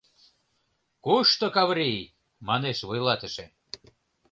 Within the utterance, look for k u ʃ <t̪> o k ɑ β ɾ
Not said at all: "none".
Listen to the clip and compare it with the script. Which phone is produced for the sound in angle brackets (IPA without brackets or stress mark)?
t̪